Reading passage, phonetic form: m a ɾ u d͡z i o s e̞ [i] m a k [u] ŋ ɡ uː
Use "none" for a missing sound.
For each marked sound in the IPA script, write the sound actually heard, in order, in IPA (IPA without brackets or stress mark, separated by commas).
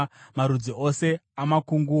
a, u